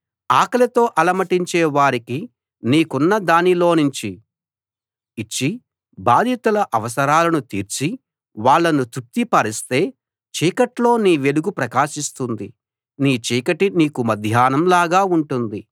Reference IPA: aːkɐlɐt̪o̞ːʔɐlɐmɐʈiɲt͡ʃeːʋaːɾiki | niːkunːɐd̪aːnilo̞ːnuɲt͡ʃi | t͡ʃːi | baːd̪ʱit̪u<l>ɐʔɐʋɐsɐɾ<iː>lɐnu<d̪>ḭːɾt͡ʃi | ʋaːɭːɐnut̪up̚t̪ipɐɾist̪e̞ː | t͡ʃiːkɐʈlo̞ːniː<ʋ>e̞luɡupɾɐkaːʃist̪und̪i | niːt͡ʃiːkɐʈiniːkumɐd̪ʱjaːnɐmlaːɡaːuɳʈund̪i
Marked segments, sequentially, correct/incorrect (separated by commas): correct, incorrect, incorrect, correct